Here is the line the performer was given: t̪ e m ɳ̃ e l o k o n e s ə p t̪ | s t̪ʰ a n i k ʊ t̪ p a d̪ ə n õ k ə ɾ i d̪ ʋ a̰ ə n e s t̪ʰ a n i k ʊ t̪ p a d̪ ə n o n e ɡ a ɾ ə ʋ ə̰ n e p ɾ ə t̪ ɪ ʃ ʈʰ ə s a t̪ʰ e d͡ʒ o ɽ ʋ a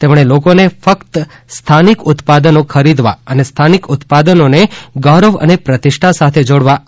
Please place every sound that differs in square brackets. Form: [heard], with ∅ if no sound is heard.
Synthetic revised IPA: t̪ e m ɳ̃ e l o k o n e [f] ə [k] t̪ | s t̪ʰ a n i k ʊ t̪ p a d̪ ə n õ [kʰ] ə ɾ i d̪ ʋ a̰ ə n e s t̪ʰ a n i k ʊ t̪ p a d̪ ə n o n e ɡ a ɾ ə ʋ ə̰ n e p ɾ ə t̪ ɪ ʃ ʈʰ [a] s a t̪ʰ e d͡ʒ o ɽ ʋ a

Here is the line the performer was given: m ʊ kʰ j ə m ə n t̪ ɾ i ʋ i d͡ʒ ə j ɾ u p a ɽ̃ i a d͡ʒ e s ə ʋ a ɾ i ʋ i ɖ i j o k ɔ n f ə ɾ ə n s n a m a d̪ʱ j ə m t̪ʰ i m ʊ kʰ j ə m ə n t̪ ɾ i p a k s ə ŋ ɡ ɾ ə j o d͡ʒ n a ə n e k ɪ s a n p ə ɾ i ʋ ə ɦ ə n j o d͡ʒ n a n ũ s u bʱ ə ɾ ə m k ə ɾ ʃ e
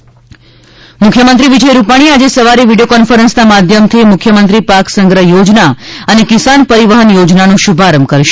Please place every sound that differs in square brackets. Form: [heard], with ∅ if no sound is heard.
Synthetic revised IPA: m ʊ kʰ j ə m ə n t̪ ɾ i ʋ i d͡ʒ ə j ɾ u p a ɽ̃ i a d͡ʒ e s ə ʋ a ɾ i ʋ i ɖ i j o k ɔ n f ə ɾ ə n s n a m a d̪ʱ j ə m t̪ʰ i m ʊ kʰ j ə m ə n t̪ ɾ i p a k s ə ŋ ɡ ɾ ə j o d͡ʒ n a ə n e k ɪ s a n p ə ɾ i ʋ ə ɦ ə n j o d͡ʒ n a n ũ [ʃ] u bʱ [a] ɾ ə m k ə ɾ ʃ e

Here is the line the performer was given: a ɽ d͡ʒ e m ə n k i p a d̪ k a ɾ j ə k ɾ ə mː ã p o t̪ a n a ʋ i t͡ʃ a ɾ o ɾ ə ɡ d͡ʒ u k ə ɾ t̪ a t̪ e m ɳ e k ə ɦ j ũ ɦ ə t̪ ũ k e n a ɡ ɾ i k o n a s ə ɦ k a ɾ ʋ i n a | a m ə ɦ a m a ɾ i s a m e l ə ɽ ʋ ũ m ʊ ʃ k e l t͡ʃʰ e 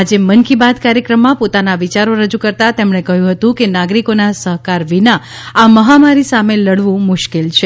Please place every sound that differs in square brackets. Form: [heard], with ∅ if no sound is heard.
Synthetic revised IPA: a [∅] d͡ʒ e m ə n k i [b] a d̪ k a ɾ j ə k ɾ ə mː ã p o t̪ a n a ʋ i t͡ʃ a ɾ o ɾ ə [∅] d͡ʒ u k ə ɾ t̪ a t̪ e m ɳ e k ə ɦ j ũ ɦ ə t̪ ũ k e n a ɡ ɾ i k o n a s ə ɦ k a ɾ ʋ i n a | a m ə ɦ a m a ɾ i s a m e l ə ɽ ʋ ũ m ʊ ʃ k e l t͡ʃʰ e

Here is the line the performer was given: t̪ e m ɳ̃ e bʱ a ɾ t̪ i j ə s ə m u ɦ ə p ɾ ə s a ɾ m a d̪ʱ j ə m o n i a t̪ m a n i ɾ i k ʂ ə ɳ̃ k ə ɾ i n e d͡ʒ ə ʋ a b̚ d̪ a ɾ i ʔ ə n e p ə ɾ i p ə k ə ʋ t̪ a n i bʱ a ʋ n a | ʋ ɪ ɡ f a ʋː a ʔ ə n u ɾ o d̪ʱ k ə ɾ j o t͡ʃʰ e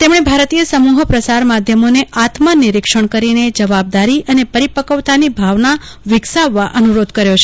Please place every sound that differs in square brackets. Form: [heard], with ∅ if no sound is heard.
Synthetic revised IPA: t̪ e m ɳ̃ e bʱ a ɾ t̪ i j ə s ə m u ɦ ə p ɾ ə s a ɾ m a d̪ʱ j ə m o n [e] a t̪ m a n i ɾ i k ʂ ə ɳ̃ k ə ɾ i n e d͡ʒ ə ʋ a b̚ d̪ a ɾ i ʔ ə n e p ə ɾ i p ə k ə ʋ t̪ a n i bʱ a ʋ n a | ʋ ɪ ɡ [s] a ʋː a ʔ ə n u ɾ o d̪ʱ k ə ɾ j o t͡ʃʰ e

